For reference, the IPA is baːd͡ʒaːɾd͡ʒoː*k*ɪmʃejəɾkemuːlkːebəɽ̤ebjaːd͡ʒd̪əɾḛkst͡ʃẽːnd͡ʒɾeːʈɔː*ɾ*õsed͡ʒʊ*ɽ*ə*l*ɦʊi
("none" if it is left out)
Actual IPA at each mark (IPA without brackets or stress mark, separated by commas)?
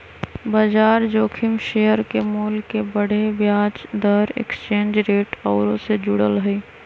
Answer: kʰ, ɾ, ɽ, l